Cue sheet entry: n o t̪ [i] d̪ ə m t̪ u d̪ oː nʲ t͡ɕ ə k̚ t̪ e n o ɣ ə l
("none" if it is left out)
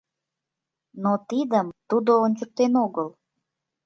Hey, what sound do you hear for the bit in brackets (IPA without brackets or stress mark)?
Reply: i